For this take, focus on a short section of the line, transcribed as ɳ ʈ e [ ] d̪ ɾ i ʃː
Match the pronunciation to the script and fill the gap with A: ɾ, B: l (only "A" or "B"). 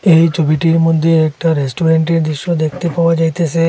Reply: A